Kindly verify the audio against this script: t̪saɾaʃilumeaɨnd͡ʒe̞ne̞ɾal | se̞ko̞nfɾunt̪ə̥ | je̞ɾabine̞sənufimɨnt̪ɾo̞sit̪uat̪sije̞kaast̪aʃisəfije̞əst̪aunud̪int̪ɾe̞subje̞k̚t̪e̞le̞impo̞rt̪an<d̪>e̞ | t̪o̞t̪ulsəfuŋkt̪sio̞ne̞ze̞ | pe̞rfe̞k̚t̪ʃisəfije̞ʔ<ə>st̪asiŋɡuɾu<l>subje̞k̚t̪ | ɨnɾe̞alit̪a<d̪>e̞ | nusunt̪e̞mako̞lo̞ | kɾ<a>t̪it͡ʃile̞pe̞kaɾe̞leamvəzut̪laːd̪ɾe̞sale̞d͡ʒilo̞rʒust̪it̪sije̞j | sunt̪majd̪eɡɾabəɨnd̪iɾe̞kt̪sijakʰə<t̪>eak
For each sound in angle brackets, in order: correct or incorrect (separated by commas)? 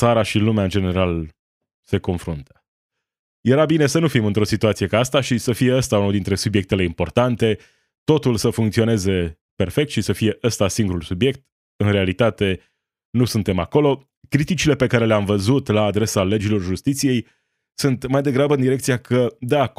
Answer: incorrect, correct, correct, incorrect, incorrect, incorrect